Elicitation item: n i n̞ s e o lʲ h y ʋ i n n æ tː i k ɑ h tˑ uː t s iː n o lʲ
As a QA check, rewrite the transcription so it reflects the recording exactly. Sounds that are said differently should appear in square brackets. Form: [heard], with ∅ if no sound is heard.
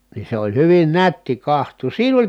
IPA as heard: n i n̞ s e o lʲ h y ʋ i n n æ tː i k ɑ h tˑ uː [s] s iː n o lʲ